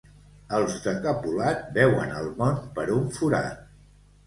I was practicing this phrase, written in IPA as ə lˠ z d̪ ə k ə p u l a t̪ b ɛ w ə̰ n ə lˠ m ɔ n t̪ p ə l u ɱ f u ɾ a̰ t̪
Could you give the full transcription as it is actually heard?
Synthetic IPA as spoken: ə lˠ z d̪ ə k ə p u l a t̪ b ɛ w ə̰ n ə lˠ m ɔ n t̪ p ə ɾ u ɱ f u ɾ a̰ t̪